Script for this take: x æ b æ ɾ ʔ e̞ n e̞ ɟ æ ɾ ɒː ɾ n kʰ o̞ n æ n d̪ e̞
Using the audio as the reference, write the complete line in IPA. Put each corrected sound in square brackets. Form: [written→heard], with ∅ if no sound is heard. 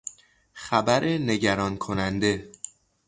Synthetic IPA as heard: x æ b æ ɾ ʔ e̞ n e̞ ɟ æ ɾ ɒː [ɾ→∅] n kʰ o̞ n æ n d̪ e̞